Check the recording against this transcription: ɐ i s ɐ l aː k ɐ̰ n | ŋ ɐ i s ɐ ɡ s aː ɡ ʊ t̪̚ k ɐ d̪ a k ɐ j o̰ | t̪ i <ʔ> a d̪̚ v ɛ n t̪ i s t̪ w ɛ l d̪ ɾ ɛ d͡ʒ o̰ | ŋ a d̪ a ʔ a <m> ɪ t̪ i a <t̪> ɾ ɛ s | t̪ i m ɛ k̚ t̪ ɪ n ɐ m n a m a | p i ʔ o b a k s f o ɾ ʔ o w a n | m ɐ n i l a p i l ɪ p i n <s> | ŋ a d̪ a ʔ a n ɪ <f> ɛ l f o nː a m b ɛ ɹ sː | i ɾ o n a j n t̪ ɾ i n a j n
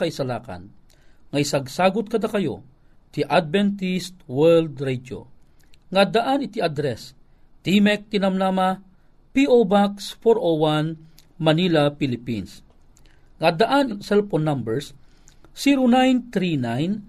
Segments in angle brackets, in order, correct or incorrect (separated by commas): correct, incorrect, incorrect, correct, incorrect